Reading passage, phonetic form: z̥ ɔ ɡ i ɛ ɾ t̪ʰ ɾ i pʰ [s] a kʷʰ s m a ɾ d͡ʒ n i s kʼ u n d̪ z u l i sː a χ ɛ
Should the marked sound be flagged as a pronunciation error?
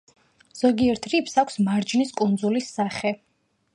no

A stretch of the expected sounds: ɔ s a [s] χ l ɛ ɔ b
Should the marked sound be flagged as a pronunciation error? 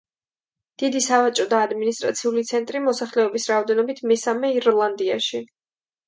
yes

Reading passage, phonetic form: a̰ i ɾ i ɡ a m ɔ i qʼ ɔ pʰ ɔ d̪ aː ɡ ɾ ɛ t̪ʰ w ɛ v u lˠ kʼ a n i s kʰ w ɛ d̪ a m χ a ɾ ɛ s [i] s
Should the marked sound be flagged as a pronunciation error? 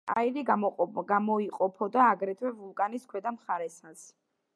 yes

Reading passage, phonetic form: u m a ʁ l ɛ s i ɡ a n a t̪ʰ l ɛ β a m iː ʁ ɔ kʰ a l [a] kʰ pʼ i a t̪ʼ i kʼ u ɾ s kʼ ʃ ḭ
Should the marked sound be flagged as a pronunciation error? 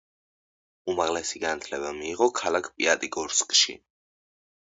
no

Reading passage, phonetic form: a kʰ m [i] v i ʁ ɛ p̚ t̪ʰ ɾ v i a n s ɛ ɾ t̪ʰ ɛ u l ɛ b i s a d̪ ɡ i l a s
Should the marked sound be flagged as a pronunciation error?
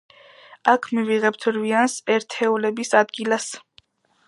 no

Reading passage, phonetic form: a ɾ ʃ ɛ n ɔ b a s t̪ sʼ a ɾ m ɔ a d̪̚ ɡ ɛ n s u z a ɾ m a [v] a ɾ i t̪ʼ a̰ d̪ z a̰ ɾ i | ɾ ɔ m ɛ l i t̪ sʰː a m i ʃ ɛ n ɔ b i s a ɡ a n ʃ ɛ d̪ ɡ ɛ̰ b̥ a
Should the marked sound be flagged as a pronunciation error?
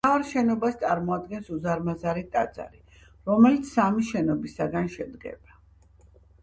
yes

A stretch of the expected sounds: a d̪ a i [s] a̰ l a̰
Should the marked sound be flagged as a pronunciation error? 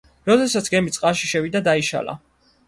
yes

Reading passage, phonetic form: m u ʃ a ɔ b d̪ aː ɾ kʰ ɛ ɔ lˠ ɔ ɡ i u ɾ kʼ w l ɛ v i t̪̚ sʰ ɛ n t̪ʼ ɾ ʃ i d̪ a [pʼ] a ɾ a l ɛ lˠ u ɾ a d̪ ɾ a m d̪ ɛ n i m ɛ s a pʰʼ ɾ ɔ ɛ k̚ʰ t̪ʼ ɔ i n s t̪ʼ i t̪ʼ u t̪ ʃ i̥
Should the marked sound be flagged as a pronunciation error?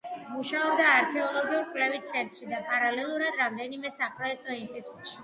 no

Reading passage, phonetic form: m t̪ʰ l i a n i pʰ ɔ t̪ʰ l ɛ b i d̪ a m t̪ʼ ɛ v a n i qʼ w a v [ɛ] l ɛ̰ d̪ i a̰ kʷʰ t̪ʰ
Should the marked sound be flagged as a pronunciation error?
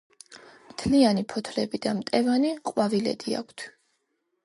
yes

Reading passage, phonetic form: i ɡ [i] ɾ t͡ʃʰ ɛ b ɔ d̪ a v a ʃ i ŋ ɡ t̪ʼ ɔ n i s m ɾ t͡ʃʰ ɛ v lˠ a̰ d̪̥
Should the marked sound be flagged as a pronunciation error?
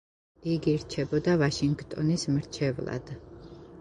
no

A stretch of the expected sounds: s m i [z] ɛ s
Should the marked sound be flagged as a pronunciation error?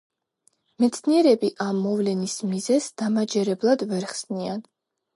no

